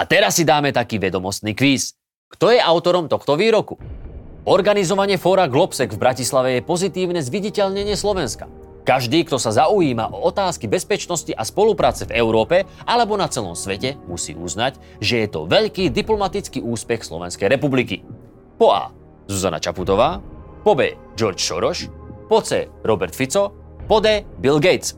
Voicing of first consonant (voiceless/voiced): voiceless